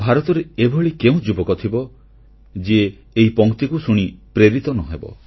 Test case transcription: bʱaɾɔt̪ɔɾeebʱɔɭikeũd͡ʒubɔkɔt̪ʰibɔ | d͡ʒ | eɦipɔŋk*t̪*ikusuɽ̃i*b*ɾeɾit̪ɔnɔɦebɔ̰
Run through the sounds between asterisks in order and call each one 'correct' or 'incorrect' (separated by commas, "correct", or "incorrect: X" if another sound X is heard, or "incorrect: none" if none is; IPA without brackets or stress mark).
correct, incorrect: p